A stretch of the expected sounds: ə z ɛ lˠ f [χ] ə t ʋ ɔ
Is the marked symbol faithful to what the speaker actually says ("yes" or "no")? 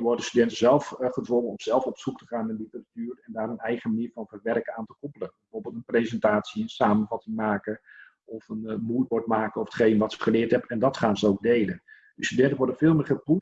yes